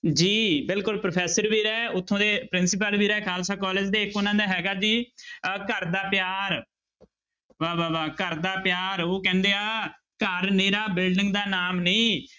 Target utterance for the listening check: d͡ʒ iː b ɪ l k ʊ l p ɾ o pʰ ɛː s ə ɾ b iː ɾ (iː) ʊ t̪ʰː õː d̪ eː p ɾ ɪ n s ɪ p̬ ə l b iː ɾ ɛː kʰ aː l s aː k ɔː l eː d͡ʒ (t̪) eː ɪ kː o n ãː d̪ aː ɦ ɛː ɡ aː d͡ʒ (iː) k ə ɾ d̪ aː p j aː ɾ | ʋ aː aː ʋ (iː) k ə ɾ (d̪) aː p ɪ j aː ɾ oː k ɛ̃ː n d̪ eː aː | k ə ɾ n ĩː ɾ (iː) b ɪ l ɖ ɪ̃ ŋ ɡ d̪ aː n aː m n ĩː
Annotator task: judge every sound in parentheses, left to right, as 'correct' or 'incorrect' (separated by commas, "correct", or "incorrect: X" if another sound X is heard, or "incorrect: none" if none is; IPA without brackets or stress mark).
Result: incorrect: ɛː, incorrect: d̪, correct, incorrect: aː, correct, incorrect: aː